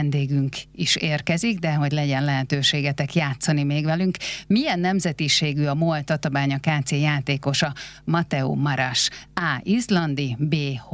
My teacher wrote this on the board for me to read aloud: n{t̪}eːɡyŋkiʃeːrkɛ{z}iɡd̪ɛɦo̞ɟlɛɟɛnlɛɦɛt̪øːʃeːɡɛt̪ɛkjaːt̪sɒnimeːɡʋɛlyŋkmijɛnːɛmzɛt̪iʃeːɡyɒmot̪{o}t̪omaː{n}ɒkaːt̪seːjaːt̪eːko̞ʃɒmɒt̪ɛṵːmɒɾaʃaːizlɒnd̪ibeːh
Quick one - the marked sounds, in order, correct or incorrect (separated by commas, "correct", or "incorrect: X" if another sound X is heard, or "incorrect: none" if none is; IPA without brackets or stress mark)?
incorrect: d̪, correct, incorrect: ɒ, incorrect: ɲ